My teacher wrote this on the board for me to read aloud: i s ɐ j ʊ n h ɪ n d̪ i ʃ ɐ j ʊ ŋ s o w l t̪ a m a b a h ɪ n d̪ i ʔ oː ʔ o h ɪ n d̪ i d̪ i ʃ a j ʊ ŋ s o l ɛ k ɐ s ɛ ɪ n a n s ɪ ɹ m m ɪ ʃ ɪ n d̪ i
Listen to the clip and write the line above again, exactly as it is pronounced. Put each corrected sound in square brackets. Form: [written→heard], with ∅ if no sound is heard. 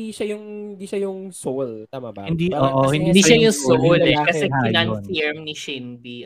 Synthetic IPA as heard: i [s→ʃ] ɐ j ʊ [n→ŋ] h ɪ n d̪ i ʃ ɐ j ʊ ŋ s o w l t̪ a m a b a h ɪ n d̪ i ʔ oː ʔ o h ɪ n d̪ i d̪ i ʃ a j ʊ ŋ s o l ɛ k ɐ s ɛ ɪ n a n [s→f] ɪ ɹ m [m→n] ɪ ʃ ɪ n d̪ i